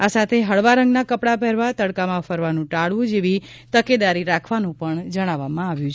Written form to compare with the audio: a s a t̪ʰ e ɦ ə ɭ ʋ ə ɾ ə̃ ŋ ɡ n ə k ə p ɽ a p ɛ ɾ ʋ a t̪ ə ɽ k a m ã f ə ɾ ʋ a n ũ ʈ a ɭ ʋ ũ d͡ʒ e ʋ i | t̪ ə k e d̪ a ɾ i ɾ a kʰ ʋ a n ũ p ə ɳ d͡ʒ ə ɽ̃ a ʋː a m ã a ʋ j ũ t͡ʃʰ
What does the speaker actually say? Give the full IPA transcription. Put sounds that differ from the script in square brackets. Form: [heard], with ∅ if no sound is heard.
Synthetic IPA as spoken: a s a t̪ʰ e ɦ ə ɭ ʋ [a] ɾ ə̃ ŋ ɡ n [a] k ə p ɽ a p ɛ ɾ ʋ a t̪ ə ɽ k a m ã f ə ɾ ʋ a n ũ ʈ a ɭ ʋ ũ d͡ʒ e ʋ i | t̪ ə k e d̪ a ɾ i ɾ a kʰ ʋ a n ũ p ə ɳ d͡ʒ ə ɽ̃ a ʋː a m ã a ʋ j ũ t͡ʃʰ